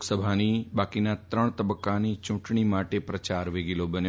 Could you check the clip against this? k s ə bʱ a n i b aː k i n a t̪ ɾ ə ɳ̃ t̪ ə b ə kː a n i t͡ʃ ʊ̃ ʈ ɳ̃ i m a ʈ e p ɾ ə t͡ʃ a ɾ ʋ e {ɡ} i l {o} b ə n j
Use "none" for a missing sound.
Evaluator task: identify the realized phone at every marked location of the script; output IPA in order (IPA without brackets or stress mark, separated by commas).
ɡ, o